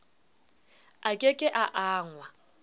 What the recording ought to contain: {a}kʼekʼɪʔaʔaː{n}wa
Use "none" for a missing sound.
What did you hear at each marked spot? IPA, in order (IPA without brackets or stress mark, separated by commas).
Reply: a, ŋ